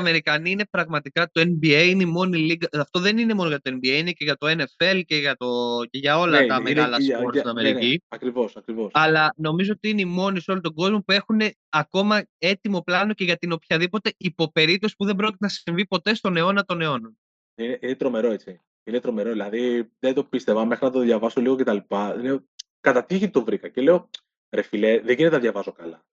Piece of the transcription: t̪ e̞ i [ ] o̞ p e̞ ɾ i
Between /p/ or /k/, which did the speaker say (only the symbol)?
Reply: p